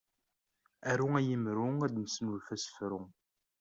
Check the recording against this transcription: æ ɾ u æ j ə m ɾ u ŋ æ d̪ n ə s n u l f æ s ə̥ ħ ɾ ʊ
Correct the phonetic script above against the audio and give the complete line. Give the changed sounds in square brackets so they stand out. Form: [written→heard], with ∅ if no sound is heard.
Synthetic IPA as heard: æ ɾ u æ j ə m ɾ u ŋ æ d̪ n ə s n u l f æ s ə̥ [ħ→f] ɾ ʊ